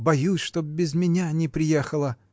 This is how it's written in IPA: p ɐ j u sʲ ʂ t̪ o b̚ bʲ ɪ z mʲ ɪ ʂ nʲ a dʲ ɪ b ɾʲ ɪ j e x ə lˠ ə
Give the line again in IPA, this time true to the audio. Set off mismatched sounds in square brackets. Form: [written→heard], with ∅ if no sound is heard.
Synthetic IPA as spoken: [p→b] ɐ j u sʲ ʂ t̪ o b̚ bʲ ɪ z mʲ ɪ [ʂ→∅] nʲ a [dʲ→nʲ] ɪ [b→p] ɾʲ ɪ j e x ə lˠ ə